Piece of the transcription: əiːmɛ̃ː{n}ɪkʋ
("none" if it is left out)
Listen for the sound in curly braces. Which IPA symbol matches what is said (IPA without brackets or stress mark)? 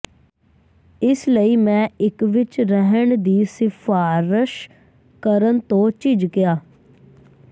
none